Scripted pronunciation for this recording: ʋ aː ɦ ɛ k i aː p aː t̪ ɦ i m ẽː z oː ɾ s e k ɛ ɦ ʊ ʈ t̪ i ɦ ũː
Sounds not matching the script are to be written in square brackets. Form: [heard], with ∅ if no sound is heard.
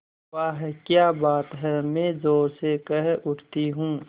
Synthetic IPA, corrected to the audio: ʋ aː ɦ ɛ k [j] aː [b] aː t̪ ɦ [ɛ] m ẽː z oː ɾ s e k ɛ ɦ ʊ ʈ t̪ i ɦ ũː